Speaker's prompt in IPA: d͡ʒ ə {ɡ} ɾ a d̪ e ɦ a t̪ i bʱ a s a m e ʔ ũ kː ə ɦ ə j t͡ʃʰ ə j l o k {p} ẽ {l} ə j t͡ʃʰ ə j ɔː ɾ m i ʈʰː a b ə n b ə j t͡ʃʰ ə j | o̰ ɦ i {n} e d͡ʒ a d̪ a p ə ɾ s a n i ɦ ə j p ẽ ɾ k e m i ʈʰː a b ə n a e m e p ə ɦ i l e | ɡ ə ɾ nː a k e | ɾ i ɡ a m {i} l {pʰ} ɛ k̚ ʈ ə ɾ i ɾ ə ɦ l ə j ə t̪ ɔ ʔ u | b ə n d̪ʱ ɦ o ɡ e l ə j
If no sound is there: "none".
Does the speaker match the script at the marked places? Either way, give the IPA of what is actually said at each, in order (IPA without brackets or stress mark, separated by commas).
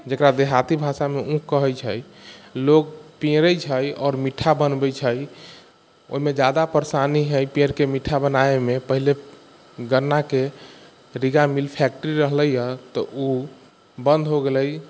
k, p, ɾ, m, i, pʰ